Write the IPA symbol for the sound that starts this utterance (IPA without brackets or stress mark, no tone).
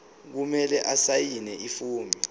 k̬